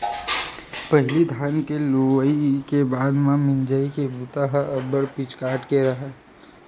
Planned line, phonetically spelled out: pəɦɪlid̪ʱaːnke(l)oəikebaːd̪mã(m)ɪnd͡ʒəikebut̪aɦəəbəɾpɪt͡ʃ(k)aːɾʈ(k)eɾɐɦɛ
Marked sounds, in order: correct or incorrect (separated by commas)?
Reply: correct, correct, correct, correct